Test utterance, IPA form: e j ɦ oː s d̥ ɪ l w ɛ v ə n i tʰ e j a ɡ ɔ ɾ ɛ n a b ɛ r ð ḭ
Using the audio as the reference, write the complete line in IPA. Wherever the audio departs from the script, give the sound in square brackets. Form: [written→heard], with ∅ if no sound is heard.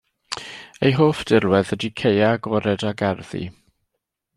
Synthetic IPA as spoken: e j ɦ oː [s→f] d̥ ɪ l w ɛ [v→ð] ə [n→d] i [tʰ→kʰ] e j a ɡ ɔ ɾ ɛ [n→d] a [b→ɡ] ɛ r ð ḭ